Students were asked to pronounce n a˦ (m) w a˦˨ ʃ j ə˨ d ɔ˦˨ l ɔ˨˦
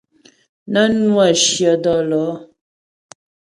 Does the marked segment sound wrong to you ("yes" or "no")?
yes